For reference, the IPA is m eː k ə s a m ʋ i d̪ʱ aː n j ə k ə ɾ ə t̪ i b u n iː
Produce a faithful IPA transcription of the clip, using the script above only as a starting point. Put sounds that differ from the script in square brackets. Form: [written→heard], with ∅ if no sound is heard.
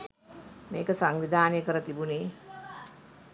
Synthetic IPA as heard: m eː k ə s a [m→ŋ] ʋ i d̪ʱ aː n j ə k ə ɾ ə t̪ i b u n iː